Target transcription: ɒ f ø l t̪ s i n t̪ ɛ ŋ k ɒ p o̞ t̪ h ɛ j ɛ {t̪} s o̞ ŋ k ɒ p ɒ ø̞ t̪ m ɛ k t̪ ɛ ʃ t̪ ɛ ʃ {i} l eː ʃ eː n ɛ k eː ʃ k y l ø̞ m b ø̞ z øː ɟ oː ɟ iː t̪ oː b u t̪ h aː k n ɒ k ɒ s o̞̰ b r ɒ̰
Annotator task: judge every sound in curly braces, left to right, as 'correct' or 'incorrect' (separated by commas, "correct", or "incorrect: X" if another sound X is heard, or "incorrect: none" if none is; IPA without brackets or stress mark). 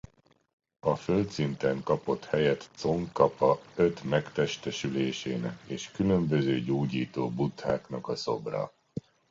correct, incorrect: y